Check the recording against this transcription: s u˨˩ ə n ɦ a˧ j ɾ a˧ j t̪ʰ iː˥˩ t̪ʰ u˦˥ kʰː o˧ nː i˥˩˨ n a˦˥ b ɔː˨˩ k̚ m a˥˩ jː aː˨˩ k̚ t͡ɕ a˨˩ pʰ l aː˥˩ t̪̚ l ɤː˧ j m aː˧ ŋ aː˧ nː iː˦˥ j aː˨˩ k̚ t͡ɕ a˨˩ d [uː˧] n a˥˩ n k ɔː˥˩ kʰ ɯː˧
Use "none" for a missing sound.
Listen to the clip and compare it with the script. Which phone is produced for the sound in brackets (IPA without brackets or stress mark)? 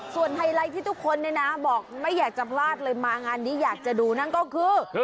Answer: uː˧